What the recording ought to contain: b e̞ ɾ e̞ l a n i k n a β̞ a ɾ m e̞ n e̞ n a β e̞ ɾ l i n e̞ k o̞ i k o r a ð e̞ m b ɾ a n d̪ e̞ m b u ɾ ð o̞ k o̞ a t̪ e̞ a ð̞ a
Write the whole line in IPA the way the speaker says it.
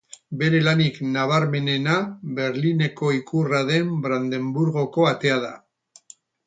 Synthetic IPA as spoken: b e̞ ɾ e̞ l a n i k n a β̞ a ɾ m e̞ n e̞ n a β e̞ ɾ l i n e̞ k o̞ i k u r a ð e̞ m b ɾ a n d̪ e̞ m b u ɾ ɣ o̞ k o̞ a t̪ e̞ a ð̞ a

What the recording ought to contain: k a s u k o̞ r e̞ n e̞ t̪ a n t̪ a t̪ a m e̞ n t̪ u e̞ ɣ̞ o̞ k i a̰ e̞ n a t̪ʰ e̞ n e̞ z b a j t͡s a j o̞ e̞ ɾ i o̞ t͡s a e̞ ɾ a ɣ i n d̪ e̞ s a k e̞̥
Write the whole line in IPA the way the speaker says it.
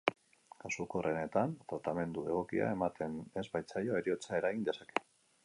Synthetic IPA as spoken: k a s u k o̞ r e̞ n e̞ t̪ a n t̪ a t̪ a m e̞ n d̪ u e̞ ɣ̞ o̞ k i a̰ e̞ m a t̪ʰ e̞ n e̞ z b a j t͡s a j o̞ e̞ ɾ i o̞ t͡s a e̞ ɾ a ɣ i n d̪ e̞ s a k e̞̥

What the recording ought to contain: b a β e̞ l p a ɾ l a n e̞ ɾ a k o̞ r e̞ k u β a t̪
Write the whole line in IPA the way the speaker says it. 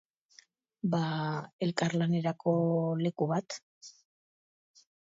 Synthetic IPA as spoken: b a e̞ l k a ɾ l a n e̞ ɾ a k o̞ l e̞ k u β a t̪

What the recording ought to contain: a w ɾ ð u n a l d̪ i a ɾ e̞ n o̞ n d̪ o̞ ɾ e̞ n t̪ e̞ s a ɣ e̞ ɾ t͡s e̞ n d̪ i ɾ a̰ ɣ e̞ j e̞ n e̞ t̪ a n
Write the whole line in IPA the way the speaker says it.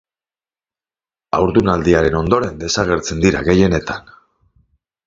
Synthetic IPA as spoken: a w ɾ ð u n a l d̪ i a ɾ e̞ n o̞ n d̪ o̞ ɾ e̞ n d̪ e̞ s a ɣ e̞ ɾ t͡s e̞ n d̪ i ɾ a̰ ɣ e̞ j e̞ n e̞ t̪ a n

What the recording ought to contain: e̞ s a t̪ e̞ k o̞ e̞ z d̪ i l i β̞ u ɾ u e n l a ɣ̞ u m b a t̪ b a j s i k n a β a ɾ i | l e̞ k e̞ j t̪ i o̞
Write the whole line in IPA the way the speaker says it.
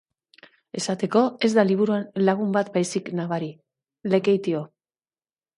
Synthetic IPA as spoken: e̞ s a t̪ e̞ k o̞ e̞ z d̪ a l i β̞ u ɾ u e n l a ɣ̞ u m b a t̪ b a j s i k n a β a ɾ i | l e̞ k e̞ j t̪ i o̞

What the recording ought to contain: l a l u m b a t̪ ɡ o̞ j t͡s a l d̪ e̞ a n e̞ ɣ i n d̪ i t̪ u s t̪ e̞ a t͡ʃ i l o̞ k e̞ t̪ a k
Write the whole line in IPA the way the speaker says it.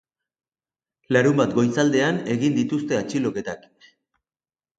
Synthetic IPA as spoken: l a ɾ u m b a t̪ ɡ o̞ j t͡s a l d̪ e̞ a n e̞ ɣ i n d̪ i t̪ u s t̪ e̞ a t͡ʃ i l o̞ k e̞ t̪ a k

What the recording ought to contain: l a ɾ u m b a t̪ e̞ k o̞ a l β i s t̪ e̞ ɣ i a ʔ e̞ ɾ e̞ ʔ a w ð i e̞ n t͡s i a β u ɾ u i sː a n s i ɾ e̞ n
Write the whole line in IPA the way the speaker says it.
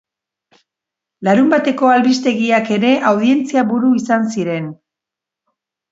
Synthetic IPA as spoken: l a ɾ u m b a t̪ e̞ k o̞ a l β i s t̪ e̞ ɣ i a k e̞ ɾ e̞ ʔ a w ð i e̞ n t͡s i a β u ɾ u i s a n s i ɾ e̞ n

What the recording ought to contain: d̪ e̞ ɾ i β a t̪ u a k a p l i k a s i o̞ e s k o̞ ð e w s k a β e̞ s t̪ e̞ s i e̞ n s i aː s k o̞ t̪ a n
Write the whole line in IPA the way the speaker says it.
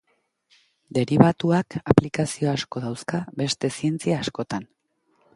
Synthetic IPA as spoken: d̪ e̞ ɾ i β a t̪ u a k a p l i k a s i o̞ a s k o̞ ð a w s k a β e̞ s t̪ e̞ s i e̞ n t͡s i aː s k o̞ t̪ a n

